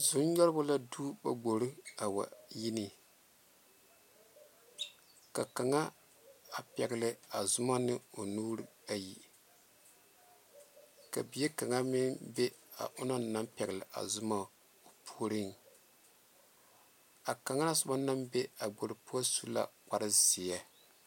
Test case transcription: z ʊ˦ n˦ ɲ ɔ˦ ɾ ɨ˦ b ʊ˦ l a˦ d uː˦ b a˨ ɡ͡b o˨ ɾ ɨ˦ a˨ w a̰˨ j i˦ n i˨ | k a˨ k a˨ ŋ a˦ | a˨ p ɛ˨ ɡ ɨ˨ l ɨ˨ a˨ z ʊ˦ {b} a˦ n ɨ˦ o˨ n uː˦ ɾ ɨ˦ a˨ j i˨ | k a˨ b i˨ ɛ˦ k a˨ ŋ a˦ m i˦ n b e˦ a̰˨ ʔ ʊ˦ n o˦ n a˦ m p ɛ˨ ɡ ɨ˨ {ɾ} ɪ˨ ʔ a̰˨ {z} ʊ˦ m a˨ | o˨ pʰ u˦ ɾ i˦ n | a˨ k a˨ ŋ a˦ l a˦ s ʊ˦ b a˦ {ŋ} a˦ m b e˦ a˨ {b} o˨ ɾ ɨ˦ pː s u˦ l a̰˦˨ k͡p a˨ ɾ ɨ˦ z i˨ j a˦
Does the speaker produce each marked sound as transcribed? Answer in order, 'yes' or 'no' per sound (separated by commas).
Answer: no, no, yes, no, no